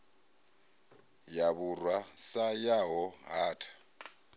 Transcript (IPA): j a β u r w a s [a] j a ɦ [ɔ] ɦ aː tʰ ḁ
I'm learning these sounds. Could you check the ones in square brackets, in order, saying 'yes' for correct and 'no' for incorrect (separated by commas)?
yes, yes